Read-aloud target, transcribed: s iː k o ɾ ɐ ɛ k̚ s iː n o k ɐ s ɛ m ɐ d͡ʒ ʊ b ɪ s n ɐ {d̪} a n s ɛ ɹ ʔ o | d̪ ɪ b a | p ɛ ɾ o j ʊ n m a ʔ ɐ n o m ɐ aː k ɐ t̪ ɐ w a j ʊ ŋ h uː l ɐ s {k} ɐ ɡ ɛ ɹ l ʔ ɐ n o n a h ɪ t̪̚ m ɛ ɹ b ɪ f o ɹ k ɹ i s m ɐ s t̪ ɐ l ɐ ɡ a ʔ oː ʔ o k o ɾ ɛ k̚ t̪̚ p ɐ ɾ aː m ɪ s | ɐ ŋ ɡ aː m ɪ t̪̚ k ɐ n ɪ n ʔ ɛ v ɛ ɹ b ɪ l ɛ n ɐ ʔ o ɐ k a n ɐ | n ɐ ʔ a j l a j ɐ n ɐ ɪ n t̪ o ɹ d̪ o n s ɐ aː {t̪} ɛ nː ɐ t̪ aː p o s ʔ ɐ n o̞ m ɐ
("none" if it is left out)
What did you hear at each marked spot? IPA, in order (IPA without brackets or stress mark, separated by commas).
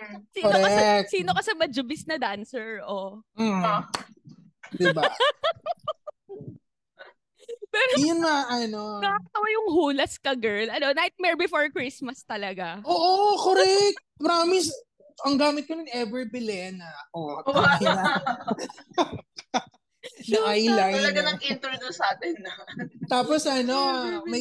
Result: d̪, k, t̪